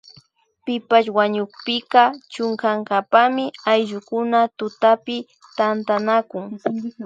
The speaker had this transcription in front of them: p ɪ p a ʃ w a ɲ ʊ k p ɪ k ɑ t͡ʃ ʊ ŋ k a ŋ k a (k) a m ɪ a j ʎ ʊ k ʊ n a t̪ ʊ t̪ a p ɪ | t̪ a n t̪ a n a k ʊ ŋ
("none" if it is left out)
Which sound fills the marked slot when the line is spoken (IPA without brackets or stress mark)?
p